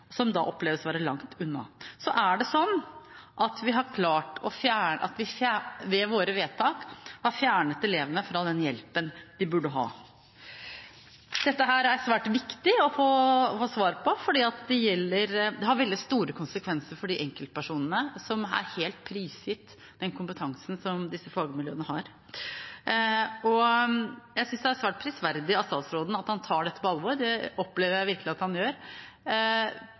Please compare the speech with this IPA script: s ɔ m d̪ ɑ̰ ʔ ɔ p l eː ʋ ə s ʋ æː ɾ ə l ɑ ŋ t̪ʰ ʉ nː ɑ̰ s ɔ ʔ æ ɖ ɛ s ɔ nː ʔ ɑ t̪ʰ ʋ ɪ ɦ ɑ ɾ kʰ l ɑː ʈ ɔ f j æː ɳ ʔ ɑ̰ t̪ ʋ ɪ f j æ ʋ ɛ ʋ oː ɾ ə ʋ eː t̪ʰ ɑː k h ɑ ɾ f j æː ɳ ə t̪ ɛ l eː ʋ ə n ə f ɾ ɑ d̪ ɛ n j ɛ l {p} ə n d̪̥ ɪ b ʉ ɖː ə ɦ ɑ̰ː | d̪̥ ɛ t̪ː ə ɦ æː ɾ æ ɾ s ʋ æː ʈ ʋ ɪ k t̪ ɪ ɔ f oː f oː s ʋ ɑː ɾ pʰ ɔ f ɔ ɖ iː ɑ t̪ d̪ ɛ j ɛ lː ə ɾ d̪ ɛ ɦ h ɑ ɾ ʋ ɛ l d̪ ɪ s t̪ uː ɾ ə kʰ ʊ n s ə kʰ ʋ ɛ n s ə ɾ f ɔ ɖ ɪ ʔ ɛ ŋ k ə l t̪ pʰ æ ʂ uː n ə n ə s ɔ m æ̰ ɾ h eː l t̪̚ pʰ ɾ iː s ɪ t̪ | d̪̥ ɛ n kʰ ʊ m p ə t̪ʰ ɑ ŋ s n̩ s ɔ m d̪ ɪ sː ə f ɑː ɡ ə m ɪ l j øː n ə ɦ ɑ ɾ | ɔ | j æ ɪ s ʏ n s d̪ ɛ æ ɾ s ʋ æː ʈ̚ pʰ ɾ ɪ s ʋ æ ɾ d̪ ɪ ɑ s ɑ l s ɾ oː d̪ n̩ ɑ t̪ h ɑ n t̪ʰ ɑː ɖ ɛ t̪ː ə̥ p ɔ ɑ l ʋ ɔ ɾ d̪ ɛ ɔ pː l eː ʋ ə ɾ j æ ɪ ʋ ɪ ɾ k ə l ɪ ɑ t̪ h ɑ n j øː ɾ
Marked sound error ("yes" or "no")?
no